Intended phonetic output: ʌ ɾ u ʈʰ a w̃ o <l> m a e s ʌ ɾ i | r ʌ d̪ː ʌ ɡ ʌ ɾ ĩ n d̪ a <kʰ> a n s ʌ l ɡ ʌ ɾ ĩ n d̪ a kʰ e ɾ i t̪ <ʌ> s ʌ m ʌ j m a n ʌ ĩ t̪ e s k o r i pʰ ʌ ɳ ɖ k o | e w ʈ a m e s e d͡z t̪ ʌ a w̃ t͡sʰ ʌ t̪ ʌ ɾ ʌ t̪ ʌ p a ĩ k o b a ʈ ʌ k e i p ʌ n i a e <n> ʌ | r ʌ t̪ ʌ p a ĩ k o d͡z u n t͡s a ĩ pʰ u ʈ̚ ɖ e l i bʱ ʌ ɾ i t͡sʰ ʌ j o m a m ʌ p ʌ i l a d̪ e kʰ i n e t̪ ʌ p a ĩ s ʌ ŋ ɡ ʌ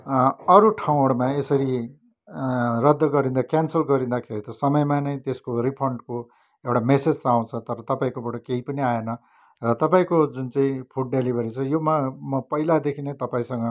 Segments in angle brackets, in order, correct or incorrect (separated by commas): incorrect, incorrect, correct, correct